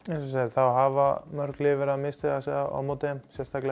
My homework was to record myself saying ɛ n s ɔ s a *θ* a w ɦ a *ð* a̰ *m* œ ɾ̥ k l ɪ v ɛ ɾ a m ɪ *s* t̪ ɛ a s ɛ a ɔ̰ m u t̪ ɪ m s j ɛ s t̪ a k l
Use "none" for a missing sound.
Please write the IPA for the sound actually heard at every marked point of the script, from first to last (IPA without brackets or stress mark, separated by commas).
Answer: θ, v, m, s